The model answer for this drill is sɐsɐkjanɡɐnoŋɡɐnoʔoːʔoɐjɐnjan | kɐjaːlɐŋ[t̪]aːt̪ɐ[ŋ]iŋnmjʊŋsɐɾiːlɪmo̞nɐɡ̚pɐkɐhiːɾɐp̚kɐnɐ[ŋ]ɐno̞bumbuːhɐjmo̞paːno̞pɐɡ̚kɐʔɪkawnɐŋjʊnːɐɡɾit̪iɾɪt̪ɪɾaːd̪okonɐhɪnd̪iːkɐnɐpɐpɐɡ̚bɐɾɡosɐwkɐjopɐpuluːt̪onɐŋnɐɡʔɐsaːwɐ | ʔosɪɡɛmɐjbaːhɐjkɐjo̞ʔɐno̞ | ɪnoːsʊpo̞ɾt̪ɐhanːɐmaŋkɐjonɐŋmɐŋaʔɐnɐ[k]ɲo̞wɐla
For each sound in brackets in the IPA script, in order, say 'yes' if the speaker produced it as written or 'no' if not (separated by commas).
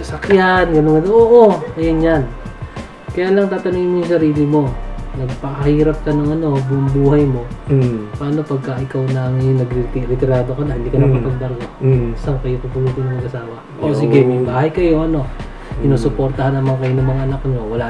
yes, no, yes, yes